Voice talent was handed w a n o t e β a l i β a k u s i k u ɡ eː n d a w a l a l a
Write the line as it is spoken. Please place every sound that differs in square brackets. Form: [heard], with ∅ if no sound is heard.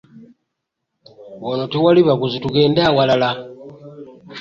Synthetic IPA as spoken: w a n o t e [w] a l i β a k u [z] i [t] u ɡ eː n d a w a l a l a